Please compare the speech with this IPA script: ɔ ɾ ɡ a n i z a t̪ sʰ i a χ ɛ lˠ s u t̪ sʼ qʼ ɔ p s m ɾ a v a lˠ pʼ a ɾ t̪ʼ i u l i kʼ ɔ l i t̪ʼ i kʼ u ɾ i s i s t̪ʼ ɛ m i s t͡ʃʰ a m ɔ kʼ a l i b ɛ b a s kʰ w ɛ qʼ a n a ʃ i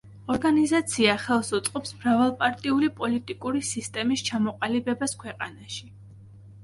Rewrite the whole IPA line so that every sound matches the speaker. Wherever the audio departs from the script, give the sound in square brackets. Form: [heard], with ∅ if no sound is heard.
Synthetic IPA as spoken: ɔ ɾ ɡ a n i z a t̪ sʰ i a χ ɛ lˠ s u t̪ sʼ qʼ ɔ p s m ɾ a v a lˠ pʼ a ɾ t̪ʼ i u l i [pʼ] ɔ l i t̪ʼ i kʼ u ɾ i s i s t̪ʼ ɛ m i s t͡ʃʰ a m ɔ [qʼ] a l i b ɛ b a s kʰ w ɛ qʼ a n a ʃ i